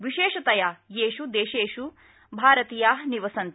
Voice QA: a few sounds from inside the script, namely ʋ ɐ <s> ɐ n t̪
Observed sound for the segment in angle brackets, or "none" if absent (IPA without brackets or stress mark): s